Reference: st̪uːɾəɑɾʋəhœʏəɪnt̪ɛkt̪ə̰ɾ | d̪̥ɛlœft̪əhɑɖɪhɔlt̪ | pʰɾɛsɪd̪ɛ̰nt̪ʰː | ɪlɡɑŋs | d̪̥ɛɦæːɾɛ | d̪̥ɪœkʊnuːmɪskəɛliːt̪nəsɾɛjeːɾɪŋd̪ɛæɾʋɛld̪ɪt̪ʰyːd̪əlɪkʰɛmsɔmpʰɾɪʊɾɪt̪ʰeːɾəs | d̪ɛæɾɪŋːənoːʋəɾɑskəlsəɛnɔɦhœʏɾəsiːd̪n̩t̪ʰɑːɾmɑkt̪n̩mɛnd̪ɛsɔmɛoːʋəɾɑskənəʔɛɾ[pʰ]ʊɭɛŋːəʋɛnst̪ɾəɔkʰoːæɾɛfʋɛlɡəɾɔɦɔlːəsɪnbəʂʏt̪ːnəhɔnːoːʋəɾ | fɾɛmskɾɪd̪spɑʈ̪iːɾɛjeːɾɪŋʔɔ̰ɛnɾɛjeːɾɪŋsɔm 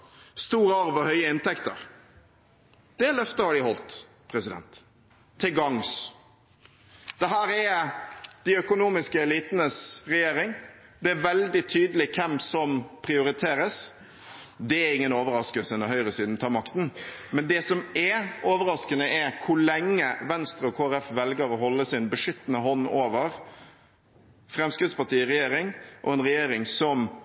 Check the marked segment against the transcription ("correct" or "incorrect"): incorrect